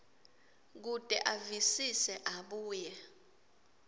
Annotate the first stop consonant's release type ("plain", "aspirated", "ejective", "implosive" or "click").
plain